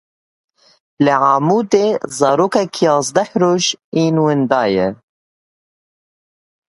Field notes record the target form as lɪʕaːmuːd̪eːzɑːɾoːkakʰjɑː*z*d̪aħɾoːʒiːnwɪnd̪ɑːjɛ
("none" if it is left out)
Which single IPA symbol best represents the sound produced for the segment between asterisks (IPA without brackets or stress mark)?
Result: z